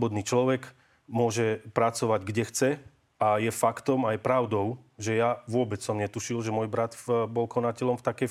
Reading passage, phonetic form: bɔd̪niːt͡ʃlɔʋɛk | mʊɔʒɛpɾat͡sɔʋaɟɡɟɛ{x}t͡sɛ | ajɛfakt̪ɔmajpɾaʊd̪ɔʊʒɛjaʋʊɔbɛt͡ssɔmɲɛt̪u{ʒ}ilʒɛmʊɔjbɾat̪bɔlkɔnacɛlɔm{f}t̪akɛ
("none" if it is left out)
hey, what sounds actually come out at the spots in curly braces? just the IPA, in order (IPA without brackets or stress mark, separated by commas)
x, ʃ, f